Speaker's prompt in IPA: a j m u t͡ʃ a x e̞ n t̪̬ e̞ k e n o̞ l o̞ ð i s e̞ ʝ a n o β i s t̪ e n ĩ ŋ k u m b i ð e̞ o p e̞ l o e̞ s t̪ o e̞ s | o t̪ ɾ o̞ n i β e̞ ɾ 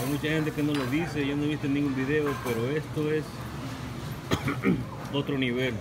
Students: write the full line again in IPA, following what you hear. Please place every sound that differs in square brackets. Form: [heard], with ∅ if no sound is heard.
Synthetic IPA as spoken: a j m u t͡ʃ a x e̞ n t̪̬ e̞ k e n o̞ l o̞ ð i s e̞ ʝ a n o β i s t̪ e n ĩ ŋ [ɡ] u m b i ð e̞ o p e̞ [ɾ] o e̞ s t̪ o e̞ s | o t̪ ɾ o̞ n i β e̞ [l]